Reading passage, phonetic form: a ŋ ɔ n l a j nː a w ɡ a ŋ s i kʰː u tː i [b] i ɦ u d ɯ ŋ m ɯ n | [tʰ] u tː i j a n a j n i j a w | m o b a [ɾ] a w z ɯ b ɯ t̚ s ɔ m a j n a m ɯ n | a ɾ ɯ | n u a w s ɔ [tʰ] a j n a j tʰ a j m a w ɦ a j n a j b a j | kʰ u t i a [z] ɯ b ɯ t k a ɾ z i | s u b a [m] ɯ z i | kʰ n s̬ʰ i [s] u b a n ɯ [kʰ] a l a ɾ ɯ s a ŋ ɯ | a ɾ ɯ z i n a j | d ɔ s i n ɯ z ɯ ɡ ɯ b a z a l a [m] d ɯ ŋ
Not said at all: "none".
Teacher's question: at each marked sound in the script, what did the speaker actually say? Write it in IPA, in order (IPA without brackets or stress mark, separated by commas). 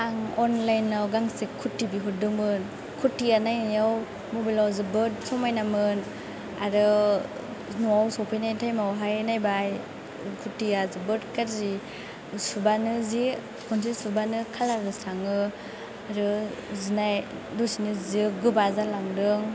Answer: b, kʰ, l, pʰ, z, n, s, kʰ, ŋ